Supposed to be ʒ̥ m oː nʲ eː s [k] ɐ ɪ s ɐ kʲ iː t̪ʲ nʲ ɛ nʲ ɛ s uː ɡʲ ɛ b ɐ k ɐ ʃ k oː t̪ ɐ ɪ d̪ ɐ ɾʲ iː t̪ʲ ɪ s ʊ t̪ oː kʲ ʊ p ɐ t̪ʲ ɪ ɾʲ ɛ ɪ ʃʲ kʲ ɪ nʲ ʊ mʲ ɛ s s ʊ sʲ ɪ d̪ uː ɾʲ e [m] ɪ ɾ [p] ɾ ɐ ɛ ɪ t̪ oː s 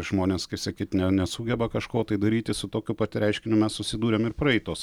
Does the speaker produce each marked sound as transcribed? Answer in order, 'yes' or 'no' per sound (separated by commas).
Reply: yes, yes, yes